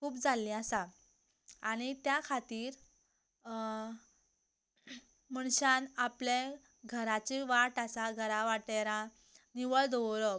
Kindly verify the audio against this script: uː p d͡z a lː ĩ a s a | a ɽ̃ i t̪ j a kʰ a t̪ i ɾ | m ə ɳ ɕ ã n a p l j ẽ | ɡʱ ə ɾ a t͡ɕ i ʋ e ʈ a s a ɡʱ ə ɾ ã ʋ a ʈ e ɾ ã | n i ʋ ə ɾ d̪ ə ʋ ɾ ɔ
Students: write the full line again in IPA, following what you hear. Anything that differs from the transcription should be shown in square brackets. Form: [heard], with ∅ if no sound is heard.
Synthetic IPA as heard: uː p d͡z a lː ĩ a s a | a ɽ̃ i t̪ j a kʰ a t̪ [iː] ɾ | m ə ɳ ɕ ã n a p l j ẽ | ɡʱ ə ɾ a t͡ɕ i ʋ [a] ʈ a s a ɡʱ ə ɾ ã ʋ a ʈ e ɾ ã | n i ʋ ə [ɭ] d̪ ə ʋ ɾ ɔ